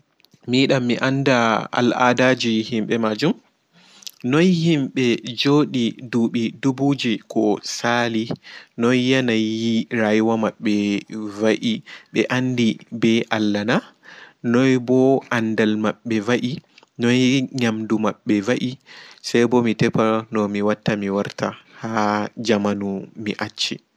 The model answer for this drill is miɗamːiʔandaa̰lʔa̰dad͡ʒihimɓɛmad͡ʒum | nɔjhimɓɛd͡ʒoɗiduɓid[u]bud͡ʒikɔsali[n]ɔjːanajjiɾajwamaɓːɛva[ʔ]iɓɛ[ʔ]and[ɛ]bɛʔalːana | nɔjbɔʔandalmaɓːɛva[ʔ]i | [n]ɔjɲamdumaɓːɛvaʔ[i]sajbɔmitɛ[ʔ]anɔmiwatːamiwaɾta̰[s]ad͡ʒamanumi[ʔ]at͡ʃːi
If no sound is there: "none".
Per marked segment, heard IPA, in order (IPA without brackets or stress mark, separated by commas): u, n, ʔ, ʔ, i, ʔ, n, i, p, h, ʔ